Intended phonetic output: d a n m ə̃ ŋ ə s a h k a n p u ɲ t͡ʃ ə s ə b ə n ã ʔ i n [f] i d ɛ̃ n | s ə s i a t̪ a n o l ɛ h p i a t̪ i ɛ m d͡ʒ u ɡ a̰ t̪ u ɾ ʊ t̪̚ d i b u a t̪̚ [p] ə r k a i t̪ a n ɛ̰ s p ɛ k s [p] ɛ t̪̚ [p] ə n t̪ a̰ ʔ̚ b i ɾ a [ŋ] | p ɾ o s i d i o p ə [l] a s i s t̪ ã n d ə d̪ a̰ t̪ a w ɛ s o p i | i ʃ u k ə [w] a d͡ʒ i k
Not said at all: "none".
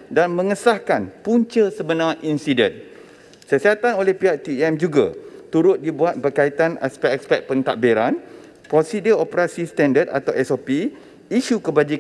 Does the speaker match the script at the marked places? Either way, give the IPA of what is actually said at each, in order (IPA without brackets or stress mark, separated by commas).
s, b, p, p, n, ɾ, b